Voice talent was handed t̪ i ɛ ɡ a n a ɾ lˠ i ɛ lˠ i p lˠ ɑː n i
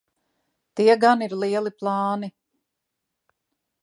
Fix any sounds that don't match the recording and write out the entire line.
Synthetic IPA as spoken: t̪ i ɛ ɡ a n i ɾ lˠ i ɛ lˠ i p lˠ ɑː n i